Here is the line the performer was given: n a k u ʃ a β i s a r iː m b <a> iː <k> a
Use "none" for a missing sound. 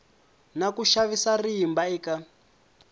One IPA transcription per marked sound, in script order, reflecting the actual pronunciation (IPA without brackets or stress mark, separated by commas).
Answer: a, k